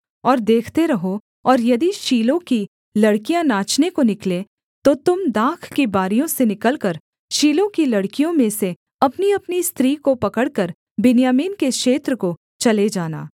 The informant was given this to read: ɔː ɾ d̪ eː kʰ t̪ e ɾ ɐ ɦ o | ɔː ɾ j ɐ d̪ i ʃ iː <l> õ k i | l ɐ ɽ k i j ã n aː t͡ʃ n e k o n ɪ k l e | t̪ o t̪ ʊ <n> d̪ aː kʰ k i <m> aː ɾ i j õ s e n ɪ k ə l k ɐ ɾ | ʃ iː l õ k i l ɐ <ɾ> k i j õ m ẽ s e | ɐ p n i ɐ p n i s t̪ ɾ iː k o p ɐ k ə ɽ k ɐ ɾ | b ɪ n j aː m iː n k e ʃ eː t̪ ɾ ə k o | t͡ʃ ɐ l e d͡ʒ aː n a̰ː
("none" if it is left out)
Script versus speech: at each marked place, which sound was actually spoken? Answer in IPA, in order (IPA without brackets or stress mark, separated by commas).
l, m, b, ɽ